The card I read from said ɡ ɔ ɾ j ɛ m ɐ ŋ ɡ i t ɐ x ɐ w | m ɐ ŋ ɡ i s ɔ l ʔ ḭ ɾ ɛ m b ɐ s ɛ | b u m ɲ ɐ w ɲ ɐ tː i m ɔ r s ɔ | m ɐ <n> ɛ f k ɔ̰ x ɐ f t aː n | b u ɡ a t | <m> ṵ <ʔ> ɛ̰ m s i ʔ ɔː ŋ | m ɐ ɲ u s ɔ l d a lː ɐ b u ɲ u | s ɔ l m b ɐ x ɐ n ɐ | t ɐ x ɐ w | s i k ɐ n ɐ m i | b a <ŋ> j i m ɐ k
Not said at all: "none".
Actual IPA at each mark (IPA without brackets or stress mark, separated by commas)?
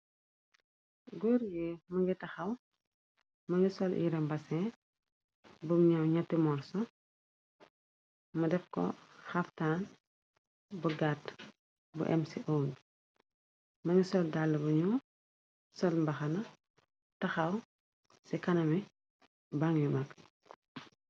d, b, ʔ, ŋ